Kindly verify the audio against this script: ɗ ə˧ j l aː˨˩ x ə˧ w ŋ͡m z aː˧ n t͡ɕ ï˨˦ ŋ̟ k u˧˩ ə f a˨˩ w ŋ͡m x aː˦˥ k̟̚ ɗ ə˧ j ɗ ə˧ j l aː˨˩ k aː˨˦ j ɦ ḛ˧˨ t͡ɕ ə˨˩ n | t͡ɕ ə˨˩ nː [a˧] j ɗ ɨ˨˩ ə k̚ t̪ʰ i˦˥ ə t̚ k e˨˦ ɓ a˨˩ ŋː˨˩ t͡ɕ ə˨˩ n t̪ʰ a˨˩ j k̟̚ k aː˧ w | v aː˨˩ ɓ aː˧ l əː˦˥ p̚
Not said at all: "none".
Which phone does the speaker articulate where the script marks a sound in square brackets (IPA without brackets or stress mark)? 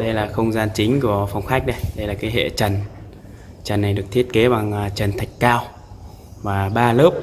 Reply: a˨˩